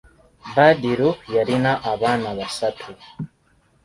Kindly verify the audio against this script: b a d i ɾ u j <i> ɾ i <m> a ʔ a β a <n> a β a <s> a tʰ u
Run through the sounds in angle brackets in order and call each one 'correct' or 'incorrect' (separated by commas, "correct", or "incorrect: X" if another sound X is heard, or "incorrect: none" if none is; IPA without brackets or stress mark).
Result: incorrect: a, incorrect: n, correct, correct